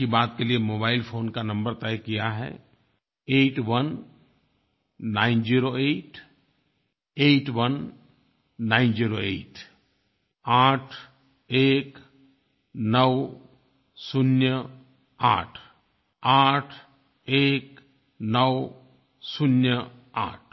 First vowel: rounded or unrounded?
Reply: unrounded